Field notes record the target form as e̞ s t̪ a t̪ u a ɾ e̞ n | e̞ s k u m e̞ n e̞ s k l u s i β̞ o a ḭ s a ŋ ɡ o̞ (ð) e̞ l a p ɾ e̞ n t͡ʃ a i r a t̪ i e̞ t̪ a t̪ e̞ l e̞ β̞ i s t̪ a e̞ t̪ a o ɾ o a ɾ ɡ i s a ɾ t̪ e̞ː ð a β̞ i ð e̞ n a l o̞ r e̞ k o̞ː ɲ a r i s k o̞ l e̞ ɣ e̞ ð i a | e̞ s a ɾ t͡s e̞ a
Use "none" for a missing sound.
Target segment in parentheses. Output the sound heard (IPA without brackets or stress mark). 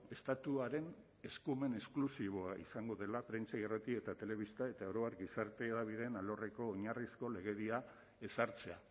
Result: ð